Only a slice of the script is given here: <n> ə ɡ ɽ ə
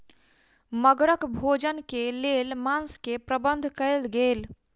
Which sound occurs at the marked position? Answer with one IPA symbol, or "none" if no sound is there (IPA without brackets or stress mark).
m